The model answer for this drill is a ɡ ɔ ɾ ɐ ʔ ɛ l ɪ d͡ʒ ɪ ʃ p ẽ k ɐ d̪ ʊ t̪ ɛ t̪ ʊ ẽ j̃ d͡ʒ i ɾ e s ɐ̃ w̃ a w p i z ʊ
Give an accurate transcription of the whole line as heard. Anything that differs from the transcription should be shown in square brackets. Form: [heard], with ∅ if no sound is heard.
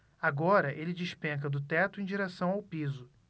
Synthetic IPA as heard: a ɡ ɔ ɾ ɐ ʔ [e] l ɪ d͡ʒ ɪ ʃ p ẽ k ɐ d̪ ʊ t̪ ɛ t̪ ʊ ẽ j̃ d͡ʒ i ɾ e s ɐ̃ w̃ a w p i z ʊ

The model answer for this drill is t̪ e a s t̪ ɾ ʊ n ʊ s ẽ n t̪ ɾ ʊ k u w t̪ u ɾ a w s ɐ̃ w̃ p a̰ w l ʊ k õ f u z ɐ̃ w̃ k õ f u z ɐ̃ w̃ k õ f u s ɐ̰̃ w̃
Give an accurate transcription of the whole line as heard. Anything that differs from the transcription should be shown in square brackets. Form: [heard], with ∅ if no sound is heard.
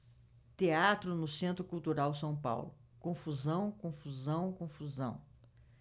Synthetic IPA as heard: t̪ e a [∅] t̪ ɾ ʊ n ʊ s ẽ n t̪ ɾ ʊ k u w t̪ u ɾ a w s ɐ̃ w̃ p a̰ w l ʊ k õ f u z ɐ̃ w̃ k õ f u z ɐ̃ w̃ k õ f u [z] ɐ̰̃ w̃

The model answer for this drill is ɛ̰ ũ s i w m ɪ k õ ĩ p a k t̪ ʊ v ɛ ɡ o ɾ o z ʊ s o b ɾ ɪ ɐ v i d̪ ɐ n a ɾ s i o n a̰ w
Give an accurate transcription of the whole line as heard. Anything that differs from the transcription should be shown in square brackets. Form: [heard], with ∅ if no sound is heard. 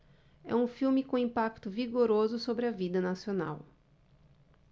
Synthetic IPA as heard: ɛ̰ ũ [f] i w m ɪ k õ ĩ p a k t̪ ʊ v [i] ɡ o ɾ o z ʊ s o b ɾ ɪ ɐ v i d̪ ɐ n a [∅] s i o n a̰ w

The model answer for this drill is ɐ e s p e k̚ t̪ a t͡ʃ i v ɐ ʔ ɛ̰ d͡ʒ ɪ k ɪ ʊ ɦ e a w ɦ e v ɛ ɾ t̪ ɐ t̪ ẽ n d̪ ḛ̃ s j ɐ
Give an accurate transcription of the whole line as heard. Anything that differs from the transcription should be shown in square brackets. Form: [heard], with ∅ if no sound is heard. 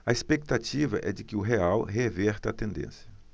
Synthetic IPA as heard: ɐ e s p e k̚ t̪ a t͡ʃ i v ɐ ʔ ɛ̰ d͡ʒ ɪ k ɪ ʊ ɦ e a w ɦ e v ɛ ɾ t̪ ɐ t̪ ẽ n d̪ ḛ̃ s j ɐ

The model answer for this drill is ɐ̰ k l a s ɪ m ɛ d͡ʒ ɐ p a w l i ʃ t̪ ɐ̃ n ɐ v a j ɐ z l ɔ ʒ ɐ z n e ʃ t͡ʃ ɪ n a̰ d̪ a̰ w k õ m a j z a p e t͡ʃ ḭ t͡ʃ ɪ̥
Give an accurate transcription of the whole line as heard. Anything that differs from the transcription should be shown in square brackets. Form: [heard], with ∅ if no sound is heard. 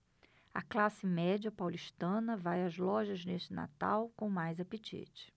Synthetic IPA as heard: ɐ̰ k l a s ɪ m ɛ d͡ʒ ɐ p a w l i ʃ t̪ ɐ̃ n ɐ v a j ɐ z l ɔ ʒ ɐ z n e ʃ t͡ʃ ɪ n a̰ [t̪] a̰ w k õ m a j z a p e t͡ʃ ḭ t͡ʃ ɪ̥

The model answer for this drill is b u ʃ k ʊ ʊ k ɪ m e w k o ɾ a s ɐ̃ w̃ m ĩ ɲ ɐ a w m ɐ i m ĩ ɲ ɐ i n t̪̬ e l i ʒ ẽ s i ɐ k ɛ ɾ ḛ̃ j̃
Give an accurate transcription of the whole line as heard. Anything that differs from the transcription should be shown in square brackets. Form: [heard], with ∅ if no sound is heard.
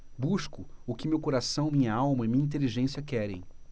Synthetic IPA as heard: b u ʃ k ʊ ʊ k ɪ m e w k o ɾ a s ɐ̃ w̃ m ĩ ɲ ɐ a w m ɐ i m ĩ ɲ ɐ [ĩ] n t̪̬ e l i ʒ ẽ s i ɐ k ɛ ɾ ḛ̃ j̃

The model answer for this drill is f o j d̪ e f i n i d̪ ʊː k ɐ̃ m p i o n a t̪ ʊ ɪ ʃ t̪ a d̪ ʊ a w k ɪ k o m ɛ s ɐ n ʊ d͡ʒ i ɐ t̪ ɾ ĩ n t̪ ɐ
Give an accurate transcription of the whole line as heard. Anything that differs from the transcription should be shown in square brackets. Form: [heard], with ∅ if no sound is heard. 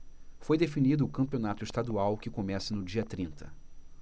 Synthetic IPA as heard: f o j d̪ e f i n i d̪ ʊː k ɐ̃ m p i o n a t̪ ʊ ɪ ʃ t̪ a d̪ [u] a w k ɪ k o m ɛ s ɐ n ʊ d͡ʒ i ɐ t̪ ɾ ĩ n t̪ ɐ

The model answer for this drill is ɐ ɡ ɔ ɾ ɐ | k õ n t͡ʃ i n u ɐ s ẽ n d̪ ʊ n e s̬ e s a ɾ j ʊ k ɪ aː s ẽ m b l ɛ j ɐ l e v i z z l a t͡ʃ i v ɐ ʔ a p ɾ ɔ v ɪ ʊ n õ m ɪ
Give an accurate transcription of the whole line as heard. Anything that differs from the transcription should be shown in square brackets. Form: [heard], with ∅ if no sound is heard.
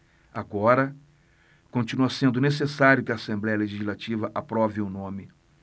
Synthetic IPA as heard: [a] ɡ ɔ ɾ ɐ | k õ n t͡ʃ i n u ɐ s ẽ n d̪ ʊ n e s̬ e s a ɾ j ʊ k ɪ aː s ẽ m b l ɛ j ɐ l e [ʒ] i z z l a t͡ʃ i v ɐ ʔ a p ɾ ɔ v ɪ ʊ n õ m ɪ

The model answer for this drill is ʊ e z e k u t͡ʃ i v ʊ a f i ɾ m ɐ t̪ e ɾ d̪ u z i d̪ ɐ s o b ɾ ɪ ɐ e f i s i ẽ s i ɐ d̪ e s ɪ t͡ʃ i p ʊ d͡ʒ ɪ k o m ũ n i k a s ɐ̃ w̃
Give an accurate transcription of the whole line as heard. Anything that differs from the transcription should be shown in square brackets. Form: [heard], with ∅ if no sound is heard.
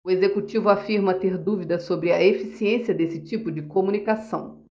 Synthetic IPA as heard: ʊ e z e k u t͡ʃ i v ʊ a f i ɾ m ɐ t̪ e ɾ d̪ u [v] i d̪ ɐ s o b ɾ ɪ ɐ e f i s i ẽ s i ɐ d̪ e s ɪ t͡ʃ i p ʊ d͡ʒ ɪ k o m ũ n i k a s ɐ̃ w̃

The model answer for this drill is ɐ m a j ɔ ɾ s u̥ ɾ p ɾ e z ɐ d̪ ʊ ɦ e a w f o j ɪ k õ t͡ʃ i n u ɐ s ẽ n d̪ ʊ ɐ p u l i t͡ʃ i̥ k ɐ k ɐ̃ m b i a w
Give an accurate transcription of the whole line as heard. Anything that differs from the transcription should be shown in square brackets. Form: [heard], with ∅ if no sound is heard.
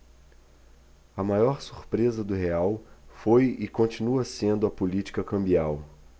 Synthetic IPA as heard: ɐ m a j ɔ ɾ s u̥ ɾ p ɾ e z ɐ d̪ ʊ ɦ e a w f o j ɪ k õ t͡ʃ i n u ɐ s ẽ n d̪ ʊ ɐ p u l i t͡ʃ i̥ k ɐ k ɐ̃ m b i a w

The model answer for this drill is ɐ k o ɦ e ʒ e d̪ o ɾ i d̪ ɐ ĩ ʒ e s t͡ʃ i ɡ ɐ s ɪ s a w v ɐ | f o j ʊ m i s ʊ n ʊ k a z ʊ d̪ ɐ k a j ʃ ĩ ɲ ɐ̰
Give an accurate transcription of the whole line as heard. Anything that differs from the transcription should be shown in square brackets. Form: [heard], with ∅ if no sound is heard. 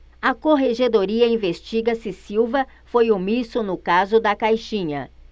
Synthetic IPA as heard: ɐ k o ɦ e ʒ e d̪ o ɾ i [∅] ɐ ĩ [v] e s t͡ʃ i ɡ ɐ s ɪ s [i] w v ɐ | f o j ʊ m i s ʊ n ʊ k a z ʊ d̪ ɐ k a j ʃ ĩ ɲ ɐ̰

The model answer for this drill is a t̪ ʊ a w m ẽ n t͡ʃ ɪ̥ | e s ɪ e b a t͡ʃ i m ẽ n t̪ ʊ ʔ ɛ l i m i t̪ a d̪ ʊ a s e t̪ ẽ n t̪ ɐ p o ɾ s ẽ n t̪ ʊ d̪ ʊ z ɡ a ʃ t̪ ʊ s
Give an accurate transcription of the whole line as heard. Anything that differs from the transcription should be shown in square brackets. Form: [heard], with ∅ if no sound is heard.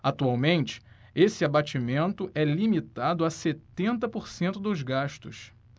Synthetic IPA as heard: a t̪ [u] a w m ẽ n t͡ʃ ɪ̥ | e s ɪ [a] b a t͡ʃ i m ẽ n t̪ ʊ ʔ ɛ l i m i t̪ a d̪ ʊ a s e t̪ ẽ n t̪ ɐ p o ɾ s ẽ n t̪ ʊ d̪ ʊ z ɡ a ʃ t̪ ʊ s

